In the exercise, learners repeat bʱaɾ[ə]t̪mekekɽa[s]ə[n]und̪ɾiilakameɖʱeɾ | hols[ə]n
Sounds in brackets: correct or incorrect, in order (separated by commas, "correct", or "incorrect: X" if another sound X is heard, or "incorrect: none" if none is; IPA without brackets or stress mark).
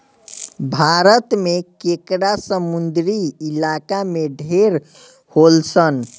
correct, correct, incorrect: m, correct